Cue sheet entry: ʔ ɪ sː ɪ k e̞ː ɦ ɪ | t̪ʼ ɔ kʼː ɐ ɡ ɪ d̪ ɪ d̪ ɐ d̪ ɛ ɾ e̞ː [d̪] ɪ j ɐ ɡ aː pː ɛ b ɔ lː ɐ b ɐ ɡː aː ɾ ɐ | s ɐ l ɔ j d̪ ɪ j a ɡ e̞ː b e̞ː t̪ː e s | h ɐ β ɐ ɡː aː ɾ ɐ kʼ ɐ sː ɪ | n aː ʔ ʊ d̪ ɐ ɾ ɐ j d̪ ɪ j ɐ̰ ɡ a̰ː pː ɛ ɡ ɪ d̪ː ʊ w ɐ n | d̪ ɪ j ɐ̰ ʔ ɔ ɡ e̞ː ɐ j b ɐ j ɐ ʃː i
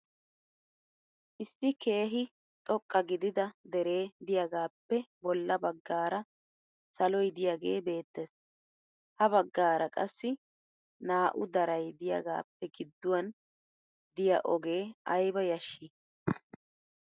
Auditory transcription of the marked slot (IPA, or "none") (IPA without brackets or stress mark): d̪